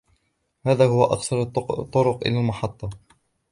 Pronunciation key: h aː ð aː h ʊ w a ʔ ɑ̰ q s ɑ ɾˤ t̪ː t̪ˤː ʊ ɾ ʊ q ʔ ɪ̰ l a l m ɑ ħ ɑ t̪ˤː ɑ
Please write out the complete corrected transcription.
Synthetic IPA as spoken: h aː ð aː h ʊ w a ʔ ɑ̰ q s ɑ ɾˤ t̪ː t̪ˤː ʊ ɾ ʊ q ʔ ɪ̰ l a l m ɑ ħ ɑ t̪ˤː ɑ